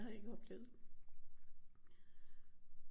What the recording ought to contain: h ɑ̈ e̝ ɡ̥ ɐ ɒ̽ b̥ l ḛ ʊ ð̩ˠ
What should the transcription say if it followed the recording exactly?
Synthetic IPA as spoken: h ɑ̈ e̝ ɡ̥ ə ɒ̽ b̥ l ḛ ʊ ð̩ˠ